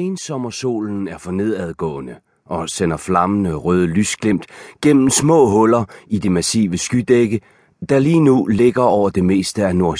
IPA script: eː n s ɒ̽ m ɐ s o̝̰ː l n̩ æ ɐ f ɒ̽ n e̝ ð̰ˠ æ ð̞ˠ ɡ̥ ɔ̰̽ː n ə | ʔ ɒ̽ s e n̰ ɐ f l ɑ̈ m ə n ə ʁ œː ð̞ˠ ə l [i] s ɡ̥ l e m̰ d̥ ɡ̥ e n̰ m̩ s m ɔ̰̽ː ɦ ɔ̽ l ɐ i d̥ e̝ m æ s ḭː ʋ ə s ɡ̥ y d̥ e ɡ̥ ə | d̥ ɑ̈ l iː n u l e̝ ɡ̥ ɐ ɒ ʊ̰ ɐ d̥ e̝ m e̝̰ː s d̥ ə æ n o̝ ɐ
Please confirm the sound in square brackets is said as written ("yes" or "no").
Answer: no